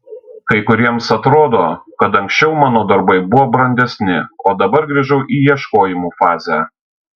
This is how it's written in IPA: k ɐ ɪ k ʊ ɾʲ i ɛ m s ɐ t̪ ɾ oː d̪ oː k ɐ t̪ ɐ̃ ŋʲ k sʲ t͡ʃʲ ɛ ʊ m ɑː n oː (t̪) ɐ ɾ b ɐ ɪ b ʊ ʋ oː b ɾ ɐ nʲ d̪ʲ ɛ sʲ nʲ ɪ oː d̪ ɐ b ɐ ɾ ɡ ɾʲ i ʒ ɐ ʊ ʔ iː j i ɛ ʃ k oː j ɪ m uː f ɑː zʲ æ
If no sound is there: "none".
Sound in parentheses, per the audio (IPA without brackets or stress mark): d̪